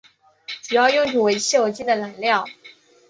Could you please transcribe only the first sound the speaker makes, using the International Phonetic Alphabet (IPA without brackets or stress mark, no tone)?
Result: ʈ͡ʂ